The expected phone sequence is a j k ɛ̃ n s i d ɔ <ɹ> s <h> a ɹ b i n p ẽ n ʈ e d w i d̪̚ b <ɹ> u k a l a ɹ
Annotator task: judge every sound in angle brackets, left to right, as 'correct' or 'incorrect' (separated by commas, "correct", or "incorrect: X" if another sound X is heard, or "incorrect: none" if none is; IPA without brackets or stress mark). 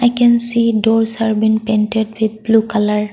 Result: correct, correct, incorrect: l